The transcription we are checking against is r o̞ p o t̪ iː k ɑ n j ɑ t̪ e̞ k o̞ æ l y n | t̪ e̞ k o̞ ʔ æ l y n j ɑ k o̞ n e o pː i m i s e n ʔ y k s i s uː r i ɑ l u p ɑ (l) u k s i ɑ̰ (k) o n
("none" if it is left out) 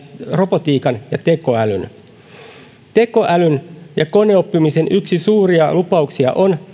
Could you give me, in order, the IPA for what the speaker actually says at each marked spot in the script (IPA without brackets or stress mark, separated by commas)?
none, ʔ